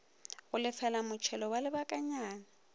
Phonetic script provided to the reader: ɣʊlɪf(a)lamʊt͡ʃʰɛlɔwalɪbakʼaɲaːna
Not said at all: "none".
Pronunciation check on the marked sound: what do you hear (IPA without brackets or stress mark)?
ɛ